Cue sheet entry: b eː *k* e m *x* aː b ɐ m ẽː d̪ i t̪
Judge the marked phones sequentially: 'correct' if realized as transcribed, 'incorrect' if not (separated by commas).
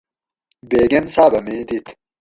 incorrect, incorrect